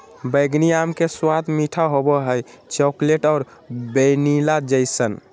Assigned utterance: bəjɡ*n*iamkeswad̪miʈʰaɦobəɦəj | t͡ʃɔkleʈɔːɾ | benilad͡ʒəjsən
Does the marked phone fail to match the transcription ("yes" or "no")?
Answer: no